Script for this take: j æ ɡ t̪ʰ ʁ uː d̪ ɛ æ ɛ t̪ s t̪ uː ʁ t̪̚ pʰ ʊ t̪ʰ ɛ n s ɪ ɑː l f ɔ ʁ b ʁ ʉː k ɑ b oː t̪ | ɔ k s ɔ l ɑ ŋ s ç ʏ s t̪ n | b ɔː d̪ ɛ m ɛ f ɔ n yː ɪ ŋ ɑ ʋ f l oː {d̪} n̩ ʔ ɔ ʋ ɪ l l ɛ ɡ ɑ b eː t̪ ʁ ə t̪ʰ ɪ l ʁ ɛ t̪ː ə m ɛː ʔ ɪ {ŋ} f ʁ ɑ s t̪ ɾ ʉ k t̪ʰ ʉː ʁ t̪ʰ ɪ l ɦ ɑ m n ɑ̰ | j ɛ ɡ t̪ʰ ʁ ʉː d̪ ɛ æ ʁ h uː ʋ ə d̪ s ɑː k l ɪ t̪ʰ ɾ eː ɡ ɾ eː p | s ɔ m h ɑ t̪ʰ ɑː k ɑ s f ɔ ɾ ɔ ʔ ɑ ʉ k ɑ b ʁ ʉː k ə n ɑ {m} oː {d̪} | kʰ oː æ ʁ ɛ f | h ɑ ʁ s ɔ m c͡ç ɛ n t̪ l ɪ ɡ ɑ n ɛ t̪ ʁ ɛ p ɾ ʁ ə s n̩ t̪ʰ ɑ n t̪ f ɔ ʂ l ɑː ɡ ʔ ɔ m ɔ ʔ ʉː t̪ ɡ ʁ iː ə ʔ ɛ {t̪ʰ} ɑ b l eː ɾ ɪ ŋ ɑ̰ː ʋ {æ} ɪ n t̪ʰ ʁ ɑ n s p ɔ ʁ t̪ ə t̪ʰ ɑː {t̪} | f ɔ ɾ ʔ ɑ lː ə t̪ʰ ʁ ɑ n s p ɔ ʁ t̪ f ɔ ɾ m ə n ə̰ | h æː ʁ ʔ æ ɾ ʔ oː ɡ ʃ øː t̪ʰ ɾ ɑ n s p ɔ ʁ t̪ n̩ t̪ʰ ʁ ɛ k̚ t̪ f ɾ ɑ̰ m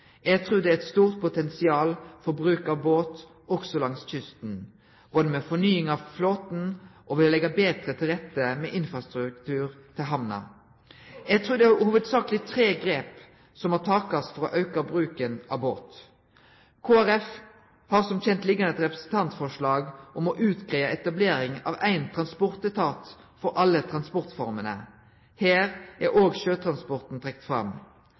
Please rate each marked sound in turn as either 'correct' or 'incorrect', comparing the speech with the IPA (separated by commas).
incorrect, incorrect, incorrect, incorrect, incorrect, correct, correct